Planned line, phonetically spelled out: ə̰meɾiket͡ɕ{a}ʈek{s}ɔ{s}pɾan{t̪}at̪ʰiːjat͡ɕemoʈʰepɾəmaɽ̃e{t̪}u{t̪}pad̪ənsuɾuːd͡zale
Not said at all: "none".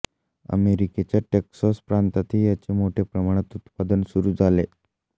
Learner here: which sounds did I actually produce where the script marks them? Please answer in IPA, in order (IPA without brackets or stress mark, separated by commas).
a, s, s, t̪, t̪, t̪